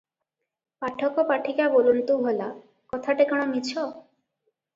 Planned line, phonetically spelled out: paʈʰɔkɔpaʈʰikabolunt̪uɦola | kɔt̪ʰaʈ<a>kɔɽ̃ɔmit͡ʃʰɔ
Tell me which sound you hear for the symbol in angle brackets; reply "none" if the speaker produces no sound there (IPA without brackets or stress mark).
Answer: e